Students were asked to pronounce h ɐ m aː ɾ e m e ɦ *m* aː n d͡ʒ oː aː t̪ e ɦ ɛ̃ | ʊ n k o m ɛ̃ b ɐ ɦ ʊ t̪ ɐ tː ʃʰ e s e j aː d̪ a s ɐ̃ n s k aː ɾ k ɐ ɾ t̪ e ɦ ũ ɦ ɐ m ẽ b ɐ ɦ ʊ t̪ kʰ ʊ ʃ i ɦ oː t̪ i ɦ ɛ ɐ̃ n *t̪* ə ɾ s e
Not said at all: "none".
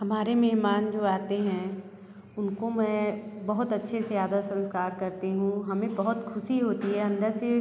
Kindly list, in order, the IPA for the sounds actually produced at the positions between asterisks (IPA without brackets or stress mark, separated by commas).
m, d̪